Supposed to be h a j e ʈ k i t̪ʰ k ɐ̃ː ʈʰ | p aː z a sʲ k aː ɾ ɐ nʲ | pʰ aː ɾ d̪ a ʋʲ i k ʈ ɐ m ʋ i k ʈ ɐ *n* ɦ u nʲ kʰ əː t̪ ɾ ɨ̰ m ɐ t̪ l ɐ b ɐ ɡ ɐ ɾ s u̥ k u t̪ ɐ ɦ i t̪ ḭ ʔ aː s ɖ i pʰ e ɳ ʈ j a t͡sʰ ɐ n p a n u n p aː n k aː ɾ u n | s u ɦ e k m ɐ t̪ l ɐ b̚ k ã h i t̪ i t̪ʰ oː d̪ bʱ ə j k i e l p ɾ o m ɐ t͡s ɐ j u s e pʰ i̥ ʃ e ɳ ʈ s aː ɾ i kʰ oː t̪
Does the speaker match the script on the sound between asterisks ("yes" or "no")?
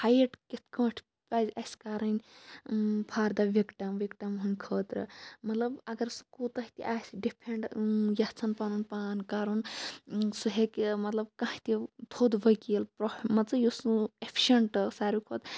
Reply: no